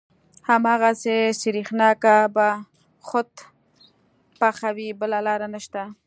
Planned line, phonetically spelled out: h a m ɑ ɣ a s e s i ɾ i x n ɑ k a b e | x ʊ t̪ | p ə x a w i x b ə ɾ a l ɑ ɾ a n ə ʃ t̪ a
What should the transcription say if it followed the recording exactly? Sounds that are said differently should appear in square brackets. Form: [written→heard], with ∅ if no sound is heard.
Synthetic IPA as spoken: h a m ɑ ɣ a s e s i ɾ i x n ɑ k a b [e→a] | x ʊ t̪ | p [ə→a] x a w i [x→∅] b ə [ɾ→l] a l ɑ ɾ a n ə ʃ t̪ a